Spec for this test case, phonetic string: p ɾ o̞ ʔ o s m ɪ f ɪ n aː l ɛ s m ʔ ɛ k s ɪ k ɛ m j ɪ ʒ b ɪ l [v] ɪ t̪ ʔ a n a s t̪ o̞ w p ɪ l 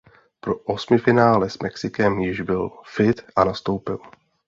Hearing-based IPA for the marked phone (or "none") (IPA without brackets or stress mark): f